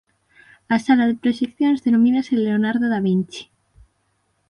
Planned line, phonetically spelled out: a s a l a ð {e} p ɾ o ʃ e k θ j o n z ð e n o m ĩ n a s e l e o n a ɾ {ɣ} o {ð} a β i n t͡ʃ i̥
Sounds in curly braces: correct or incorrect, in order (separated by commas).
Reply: correct, incorrect, correct